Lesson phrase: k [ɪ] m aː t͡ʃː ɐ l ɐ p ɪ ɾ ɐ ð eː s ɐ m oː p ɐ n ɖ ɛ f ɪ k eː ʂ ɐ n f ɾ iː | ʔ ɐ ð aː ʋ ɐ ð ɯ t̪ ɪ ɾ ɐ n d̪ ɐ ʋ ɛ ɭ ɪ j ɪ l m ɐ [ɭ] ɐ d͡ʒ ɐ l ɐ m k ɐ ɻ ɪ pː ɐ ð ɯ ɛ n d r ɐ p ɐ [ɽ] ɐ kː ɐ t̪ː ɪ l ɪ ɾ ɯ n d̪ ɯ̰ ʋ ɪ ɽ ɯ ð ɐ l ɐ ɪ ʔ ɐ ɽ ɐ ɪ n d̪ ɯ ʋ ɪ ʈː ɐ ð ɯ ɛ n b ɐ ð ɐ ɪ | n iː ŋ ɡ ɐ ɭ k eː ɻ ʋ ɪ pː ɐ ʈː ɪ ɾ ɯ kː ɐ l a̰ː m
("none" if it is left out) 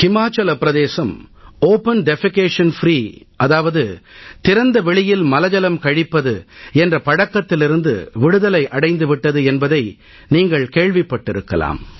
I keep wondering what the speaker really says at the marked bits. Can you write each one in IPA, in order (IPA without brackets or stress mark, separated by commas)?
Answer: ɪ, l, ɽ